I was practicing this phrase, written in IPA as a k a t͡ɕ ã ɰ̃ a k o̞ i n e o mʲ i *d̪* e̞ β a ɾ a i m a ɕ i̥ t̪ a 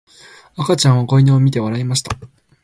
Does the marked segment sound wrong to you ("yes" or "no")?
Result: yes